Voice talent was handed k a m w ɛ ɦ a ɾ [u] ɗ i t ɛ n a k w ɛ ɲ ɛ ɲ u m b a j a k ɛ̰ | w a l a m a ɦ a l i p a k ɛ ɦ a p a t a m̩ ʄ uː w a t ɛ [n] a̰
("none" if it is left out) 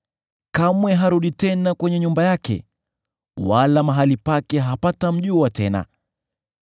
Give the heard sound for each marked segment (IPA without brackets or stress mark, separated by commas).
u, n